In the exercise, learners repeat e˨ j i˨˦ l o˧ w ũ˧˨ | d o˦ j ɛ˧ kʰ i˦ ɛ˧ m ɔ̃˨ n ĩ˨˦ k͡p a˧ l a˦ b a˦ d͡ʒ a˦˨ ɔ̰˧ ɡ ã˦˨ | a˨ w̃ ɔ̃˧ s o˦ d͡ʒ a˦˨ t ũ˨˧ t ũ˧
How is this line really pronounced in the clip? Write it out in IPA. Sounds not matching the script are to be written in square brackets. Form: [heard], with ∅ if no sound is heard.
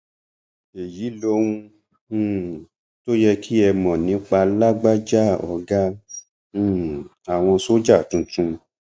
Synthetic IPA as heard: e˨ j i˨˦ l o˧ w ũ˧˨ | [t] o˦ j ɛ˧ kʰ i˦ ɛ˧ m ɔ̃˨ n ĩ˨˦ k͡p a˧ l a˦ [ɡ͡b] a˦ d͡ʒ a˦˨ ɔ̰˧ ɡ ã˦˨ | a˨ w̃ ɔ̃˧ s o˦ d͡ʒ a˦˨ t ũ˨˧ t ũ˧